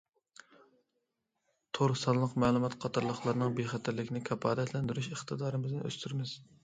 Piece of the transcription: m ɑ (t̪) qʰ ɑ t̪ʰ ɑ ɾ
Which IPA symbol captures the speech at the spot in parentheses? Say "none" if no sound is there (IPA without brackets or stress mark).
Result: t̪